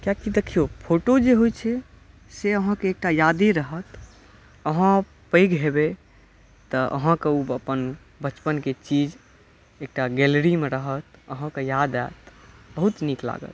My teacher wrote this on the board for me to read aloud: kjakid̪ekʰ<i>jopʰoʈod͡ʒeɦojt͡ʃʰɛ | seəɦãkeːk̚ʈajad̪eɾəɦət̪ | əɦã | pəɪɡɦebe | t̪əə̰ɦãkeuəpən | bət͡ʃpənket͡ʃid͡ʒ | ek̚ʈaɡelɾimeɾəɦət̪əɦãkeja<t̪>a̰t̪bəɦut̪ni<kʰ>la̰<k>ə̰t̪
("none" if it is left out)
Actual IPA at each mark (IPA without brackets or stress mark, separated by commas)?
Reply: i, d̪, k, ɡ